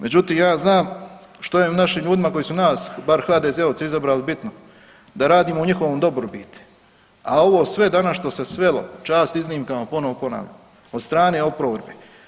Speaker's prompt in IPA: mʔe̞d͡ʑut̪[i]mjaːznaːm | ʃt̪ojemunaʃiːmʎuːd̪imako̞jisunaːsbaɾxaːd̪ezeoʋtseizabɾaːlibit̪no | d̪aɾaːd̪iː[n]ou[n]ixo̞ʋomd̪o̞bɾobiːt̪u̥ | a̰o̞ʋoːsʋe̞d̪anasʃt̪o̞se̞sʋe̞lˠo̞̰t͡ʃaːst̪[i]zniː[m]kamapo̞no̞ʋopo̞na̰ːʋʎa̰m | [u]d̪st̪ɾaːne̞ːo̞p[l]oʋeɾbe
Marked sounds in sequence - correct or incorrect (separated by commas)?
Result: incorrect, incorrect, incorrect, correct, correct, incorrect, incorrect